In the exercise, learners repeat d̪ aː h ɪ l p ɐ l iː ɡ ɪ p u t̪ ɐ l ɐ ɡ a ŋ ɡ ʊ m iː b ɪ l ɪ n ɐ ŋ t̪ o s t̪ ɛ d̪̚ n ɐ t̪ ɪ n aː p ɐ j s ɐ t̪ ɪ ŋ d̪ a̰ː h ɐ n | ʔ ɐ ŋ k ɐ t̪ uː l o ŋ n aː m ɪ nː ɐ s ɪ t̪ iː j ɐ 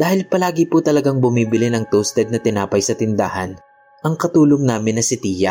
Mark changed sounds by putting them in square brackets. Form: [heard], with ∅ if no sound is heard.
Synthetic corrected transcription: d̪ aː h ɪ l p ɐ l [aː] ɡ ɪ p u t̪ ɐ l ɐ ɡ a ŋ [b] ʊ m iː b ɪ l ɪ n ɐ ŋ t̪ o s t̪ ɛ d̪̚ n ɐ t̪ ɪ n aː p ɐ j s ɐ t̪ ɪ [n] d̪ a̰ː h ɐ n | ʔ ɐ ŋ k ɐ t̪ uː l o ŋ n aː m ɪ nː ɐ s ɪ t̪ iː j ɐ